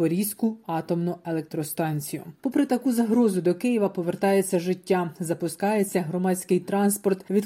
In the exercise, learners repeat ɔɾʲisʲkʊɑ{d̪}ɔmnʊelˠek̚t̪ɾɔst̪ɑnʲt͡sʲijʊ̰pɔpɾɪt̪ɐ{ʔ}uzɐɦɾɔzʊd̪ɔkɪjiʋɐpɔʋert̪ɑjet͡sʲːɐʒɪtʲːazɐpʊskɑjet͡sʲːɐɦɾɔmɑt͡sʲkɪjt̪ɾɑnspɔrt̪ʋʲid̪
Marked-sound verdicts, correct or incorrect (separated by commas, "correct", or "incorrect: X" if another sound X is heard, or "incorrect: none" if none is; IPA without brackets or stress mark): incorrect: t̪, incorrect: k